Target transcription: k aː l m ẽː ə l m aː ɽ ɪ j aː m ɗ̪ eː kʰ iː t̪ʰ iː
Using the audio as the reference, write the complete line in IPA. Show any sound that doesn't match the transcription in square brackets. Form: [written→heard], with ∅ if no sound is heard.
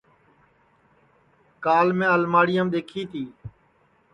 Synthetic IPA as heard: k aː l m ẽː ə l m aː ɽ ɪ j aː m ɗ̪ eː kʰ iː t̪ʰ iː